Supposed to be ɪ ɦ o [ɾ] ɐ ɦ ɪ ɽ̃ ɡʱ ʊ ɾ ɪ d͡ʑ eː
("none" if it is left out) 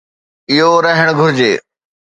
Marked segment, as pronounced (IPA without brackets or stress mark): ɾ